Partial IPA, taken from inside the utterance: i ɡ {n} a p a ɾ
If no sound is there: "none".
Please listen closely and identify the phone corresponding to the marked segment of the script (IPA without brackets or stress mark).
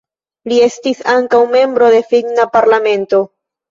n